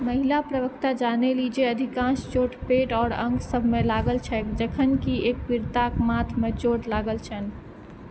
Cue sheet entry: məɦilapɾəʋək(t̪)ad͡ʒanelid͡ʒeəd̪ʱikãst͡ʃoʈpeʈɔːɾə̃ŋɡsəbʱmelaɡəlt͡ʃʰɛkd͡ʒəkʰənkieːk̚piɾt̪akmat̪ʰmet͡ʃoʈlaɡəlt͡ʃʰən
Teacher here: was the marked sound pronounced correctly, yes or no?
yes